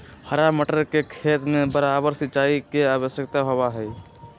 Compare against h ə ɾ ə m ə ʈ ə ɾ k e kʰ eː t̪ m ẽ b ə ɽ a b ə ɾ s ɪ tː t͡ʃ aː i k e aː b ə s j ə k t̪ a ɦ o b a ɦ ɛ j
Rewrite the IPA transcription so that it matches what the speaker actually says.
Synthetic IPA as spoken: h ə ɾ a m ə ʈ ə ɾ k e kʰ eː t̪ m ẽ b ə ɾ a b ə ɾ s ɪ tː t͡ʃ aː i k e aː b ə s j ə k t̪ a ɦ o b a ɦ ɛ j